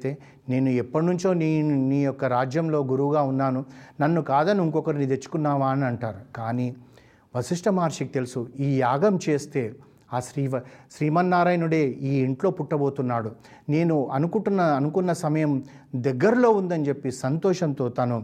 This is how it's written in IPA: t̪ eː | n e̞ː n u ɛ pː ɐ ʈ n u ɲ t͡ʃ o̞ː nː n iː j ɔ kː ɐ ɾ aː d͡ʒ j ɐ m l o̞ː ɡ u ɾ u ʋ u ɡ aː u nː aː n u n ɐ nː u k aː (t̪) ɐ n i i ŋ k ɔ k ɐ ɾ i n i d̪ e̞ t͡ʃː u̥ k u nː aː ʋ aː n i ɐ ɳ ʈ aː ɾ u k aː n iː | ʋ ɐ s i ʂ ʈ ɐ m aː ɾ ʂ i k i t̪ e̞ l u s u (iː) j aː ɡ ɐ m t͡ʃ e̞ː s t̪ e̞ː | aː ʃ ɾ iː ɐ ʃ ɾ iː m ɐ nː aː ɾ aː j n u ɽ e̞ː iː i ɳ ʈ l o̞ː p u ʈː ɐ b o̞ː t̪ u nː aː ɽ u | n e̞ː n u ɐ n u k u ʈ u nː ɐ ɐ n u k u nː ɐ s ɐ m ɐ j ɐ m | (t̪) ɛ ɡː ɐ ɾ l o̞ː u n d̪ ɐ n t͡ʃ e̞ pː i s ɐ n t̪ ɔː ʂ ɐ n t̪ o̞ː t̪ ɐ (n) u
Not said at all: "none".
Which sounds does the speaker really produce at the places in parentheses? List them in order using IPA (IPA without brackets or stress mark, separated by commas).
d̪, iː, d̪, n